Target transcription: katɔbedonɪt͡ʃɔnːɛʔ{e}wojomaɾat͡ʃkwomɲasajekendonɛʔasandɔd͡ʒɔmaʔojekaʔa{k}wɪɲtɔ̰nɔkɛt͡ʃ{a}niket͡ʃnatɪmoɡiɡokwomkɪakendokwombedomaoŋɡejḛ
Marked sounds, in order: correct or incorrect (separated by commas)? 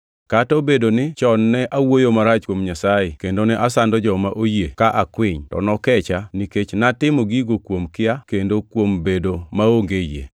incorrect, correct, correct